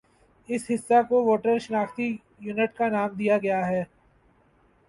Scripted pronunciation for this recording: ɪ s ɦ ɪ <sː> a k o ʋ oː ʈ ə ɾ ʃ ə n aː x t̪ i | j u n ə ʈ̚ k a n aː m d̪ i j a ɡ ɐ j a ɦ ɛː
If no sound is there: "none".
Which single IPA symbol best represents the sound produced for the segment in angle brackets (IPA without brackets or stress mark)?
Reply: sː